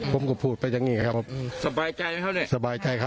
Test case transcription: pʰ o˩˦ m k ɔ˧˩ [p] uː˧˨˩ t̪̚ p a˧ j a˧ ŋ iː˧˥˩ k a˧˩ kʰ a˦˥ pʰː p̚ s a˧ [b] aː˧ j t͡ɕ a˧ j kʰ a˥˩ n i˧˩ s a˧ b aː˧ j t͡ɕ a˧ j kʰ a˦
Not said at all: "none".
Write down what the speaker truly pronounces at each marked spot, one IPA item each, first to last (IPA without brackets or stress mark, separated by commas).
pʰ, b